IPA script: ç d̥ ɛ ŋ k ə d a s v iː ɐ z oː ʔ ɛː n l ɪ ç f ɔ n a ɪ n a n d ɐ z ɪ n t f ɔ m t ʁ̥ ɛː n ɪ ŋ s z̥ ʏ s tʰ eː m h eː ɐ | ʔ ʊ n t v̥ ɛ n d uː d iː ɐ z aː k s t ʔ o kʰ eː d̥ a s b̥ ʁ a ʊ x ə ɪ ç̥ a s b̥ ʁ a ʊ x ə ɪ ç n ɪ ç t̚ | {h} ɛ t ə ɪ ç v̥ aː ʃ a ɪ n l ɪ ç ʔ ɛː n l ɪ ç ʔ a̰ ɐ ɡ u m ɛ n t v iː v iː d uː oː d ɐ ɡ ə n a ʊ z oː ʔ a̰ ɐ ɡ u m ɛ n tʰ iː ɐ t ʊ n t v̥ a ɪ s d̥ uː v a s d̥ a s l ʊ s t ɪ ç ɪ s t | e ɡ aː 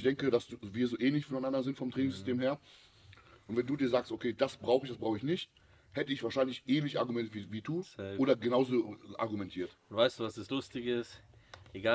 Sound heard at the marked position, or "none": h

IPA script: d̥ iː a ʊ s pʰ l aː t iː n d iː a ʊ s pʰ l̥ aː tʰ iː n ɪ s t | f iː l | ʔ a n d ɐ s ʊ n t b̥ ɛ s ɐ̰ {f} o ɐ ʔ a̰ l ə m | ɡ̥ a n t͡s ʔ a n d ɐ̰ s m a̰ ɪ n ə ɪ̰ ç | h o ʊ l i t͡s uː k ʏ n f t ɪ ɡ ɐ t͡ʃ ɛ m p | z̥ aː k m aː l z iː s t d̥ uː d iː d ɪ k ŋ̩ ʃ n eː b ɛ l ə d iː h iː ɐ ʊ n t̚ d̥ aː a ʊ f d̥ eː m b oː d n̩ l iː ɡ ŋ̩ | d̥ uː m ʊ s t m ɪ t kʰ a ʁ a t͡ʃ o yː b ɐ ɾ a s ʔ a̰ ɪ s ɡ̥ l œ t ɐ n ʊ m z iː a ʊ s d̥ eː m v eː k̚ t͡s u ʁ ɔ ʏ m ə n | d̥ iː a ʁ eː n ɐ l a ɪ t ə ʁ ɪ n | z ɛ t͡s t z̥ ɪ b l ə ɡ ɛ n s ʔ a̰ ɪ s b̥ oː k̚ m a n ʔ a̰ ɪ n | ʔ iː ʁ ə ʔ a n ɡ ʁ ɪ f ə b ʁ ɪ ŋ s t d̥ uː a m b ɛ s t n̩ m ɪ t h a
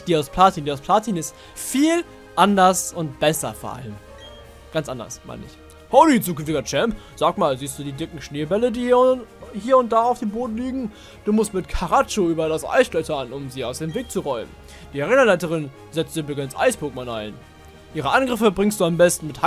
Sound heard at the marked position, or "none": f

